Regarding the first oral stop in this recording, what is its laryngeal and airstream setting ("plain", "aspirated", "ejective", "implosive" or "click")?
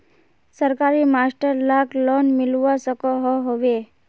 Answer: plain